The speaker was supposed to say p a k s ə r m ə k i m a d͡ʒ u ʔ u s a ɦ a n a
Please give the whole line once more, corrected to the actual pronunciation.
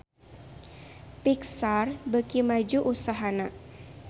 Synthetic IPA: p i k s a r b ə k i m a d͡ʒ u ʔ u s a ɦ a n a

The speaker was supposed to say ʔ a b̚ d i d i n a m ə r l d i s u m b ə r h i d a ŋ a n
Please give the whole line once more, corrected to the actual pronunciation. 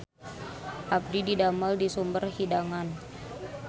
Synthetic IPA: ʔ a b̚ d i d i d a m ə l d i s u m b ə r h i d a ŋ a n

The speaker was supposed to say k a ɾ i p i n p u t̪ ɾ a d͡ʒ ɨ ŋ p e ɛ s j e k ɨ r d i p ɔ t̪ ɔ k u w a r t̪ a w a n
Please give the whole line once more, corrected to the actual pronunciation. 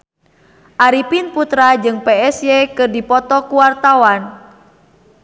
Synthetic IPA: ʔ a ɾ i p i n p u t̪ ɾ a d͡ʒ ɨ ŋ p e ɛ s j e k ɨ r d i p ɔ t̪ ɔ k u w a r t̪ a w a n

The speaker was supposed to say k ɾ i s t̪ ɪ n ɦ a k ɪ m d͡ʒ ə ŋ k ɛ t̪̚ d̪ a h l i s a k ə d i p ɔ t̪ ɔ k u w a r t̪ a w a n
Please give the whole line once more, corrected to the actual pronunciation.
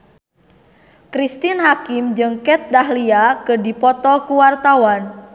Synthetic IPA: k ɾ i s t̪ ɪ n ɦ a k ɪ m d͡ʒ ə ŋ k ɛ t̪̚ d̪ a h l i a k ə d i p ɔ t̪ ɔ k u w a r t̪ a w a n

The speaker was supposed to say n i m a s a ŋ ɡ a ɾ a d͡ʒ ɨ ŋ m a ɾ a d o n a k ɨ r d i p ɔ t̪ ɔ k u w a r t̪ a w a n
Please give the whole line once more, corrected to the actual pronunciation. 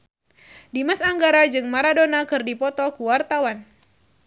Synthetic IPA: d i m a s a ŋ ɡ a ɾ a d͡ʒ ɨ ŋ m a ɾ a d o n a k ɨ r d i p ɔ t̪ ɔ k u w a r t̪ a w a n

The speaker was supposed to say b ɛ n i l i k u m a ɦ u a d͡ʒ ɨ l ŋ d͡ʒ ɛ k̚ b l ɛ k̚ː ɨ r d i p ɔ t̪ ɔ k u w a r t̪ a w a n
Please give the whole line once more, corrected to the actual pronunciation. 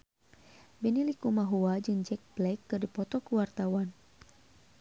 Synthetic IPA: b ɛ n i l i k u m a ɦ u a d͡ʒ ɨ ŋ d͡ʒ ɛ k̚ b l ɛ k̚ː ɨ r d i p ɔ t̪ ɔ k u w a r t̪ a w a n

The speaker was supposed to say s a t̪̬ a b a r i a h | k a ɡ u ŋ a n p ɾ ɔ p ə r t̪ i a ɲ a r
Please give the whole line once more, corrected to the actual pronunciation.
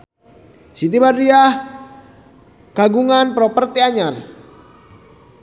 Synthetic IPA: s i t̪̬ i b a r i a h | k a ɡ u ŋ a n p ɾ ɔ p ə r t̪ i a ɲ a r

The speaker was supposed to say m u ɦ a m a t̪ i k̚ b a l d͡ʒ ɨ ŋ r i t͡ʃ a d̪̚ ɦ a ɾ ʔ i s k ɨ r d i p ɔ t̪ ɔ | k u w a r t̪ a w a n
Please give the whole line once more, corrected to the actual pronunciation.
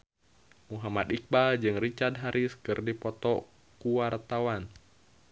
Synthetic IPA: m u ɦ a m a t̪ i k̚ b a l d͡ʒ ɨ ŋ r i t͡ʃ a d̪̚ ɦ a ɾ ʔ i s k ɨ r d i p ɔ t̪ ɔ | k u w a r t̪ a w a n

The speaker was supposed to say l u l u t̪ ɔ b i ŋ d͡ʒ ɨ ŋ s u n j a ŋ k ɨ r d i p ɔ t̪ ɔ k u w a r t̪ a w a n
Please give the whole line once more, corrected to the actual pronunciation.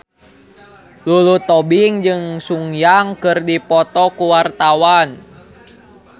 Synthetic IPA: l u l u t̪ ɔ b i ŋ d͡ʒ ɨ ŋ s u ŋ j a ŋ k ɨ r d i p ɔ t̪ ɔ k u w a r t̪ a w a n

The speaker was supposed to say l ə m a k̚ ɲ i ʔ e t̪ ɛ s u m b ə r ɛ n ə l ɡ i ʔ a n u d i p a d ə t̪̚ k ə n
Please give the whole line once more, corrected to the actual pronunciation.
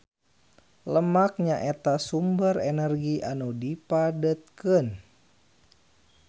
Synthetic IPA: l ə m a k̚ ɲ a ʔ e t̪ a s u m b ə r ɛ n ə r ɡ i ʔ a n u d i p a d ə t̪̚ k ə n

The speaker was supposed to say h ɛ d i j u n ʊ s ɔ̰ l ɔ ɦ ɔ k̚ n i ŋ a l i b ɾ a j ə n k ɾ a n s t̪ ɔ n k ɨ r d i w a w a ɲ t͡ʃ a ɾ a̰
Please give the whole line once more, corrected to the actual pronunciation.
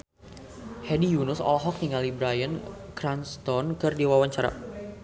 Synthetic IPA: h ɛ d i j u n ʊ s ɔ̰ l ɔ ɦ ɔ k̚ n i ŋ a l i b ɾ a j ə n k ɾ a n s t̪ ɔ n k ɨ r d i w a w a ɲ t͡ʃ a ɾ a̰

